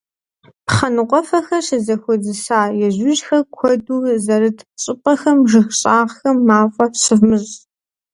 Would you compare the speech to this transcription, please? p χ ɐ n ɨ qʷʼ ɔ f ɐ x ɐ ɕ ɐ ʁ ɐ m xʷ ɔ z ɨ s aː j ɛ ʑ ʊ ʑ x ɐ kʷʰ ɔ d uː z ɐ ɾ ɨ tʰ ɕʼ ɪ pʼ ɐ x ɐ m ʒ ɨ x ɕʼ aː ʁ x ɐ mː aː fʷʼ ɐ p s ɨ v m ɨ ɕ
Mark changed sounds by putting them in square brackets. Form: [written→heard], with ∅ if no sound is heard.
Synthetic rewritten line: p χ ɐ n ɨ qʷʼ ɔ f ɐ x ɐ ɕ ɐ [ʁ→z] ɐ [m→∅] xʷ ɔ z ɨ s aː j ɛ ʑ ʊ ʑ x ɐ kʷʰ ɔ d uː z ɐ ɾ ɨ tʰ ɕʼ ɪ pʼ ɐ x ɐ m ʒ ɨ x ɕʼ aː ʁ x ɐ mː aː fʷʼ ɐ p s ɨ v m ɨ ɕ